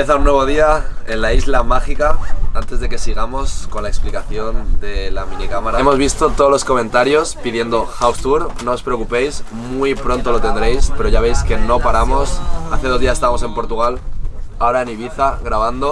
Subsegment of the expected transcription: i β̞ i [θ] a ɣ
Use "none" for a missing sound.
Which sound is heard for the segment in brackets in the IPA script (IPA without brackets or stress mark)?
θ